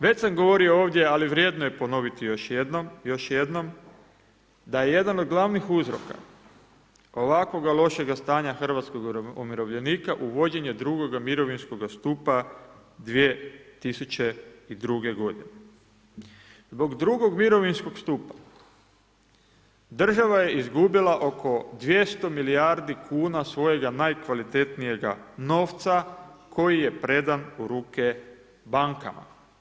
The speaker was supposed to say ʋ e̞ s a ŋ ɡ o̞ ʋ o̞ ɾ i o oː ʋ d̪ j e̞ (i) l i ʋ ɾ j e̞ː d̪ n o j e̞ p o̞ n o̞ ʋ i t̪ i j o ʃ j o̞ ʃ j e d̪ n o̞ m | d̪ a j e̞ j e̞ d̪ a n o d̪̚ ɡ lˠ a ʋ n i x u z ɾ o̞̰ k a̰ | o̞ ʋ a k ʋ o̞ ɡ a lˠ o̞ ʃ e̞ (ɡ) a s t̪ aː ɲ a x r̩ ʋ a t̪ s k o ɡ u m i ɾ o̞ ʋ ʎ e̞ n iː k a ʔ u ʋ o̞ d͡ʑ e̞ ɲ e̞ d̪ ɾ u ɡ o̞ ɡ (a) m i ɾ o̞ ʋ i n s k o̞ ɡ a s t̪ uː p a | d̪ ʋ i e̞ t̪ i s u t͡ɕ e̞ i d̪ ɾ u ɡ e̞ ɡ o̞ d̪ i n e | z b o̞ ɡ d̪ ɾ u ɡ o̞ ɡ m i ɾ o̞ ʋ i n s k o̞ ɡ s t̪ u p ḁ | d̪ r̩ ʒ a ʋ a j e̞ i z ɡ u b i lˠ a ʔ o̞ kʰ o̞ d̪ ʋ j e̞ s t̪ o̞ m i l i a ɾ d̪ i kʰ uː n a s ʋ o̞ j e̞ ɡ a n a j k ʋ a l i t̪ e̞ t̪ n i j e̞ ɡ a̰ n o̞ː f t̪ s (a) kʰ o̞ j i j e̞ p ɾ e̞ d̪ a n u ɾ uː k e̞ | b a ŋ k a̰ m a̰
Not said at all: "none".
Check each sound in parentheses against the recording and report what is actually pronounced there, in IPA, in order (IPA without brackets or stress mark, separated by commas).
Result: a, ɡ, a, a